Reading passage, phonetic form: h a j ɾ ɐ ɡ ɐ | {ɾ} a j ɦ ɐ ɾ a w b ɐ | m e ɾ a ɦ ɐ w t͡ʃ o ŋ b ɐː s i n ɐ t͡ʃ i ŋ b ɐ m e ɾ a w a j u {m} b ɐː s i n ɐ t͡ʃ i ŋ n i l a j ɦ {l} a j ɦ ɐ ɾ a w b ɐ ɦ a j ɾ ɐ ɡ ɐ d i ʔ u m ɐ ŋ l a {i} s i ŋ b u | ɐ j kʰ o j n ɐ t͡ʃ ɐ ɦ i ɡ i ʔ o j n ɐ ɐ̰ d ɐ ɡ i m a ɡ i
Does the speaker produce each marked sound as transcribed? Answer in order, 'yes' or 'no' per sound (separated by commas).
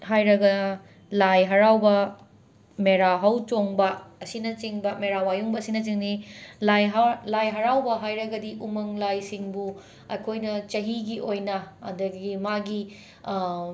no, no, yes, no